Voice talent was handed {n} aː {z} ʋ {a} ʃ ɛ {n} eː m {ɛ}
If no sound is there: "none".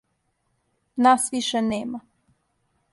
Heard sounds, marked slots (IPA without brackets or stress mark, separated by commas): n, s, i, n, a